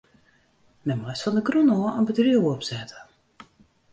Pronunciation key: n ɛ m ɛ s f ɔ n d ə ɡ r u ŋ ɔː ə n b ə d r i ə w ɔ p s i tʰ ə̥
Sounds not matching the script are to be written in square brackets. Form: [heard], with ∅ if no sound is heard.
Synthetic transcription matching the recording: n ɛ m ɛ s f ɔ n d ə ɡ r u [n] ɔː ə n b ə d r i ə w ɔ p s [ɛ] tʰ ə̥

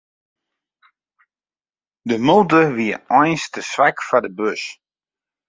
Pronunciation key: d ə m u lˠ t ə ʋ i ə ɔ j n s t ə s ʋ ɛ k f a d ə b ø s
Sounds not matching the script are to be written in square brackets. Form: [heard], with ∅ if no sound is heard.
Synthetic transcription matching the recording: d ə m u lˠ t ə ʋ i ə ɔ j n s t ə s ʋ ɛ k f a d ə b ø s

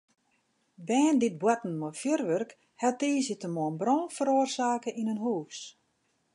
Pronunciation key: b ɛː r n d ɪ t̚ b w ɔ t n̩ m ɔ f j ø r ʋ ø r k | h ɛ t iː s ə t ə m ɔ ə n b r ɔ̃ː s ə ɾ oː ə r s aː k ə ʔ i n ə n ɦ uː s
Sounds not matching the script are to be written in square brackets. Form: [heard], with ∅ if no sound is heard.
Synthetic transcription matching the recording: b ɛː [∅] n d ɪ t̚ b w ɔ t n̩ m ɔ f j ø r ʋ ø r k | h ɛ t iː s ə t ə m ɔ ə n b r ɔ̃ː [f] ə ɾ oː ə r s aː k ə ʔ i n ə n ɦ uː s

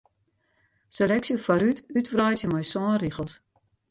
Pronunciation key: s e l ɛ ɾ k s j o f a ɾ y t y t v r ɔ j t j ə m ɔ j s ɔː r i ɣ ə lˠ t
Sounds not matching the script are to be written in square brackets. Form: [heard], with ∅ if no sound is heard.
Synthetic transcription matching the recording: s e l ɛ [∅] k s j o f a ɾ y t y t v r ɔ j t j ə m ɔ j s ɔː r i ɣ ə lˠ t

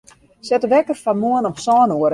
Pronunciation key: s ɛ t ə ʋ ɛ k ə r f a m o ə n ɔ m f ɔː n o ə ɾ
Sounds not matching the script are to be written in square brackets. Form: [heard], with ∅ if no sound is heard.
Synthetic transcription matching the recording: s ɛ t ə ʋ ɛ k ə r f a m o ə n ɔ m [s] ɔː n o ə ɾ

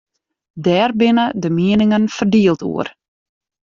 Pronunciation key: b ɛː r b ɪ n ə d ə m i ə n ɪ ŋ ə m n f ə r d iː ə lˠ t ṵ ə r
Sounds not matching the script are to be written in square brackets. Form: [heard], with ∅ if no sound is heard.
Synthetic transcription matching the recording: [d] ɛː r b ɪ n ə d ə m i ə n ɪ ŋ ə [∅] n f ə r d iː ə lˠ t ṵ ə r

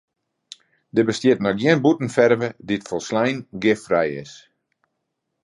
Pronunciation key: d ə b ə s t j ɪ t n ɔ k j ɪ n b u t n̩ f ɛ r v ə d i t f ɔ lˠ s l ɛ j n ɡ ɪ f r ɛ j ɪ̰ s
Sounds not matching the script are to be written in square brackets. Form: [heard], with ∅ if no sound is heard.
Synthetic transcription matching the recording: d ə b ə s t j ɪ t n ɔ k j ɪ n b u t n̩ f ɛ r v ə d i t f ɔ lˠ s l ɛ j n ɡ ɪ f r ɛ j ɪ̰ s

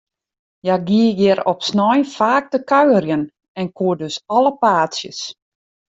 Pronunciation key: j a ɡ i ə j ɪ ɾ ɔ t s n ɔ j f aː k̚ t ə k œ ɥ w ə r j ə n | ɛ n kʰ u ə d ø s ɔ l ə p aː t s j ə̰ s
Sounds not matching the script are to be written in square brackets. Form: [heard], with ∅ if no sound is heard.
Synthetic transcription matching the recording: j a ɡ i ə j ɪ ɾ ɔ [p] s n ɔ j f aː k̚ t ə k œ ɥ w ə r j ə n | ɛ n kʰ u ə d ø s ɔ l ə p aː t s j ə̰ s

